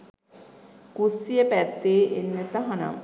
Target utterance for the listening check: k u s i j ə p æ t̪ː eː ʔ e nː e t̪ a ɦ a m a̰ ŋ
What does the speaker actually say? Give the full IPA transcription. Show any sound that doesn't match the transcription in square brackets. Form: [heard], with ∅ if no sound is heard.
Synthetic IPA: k u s i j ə p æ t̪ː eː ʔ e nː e t̪ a ɦ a [n] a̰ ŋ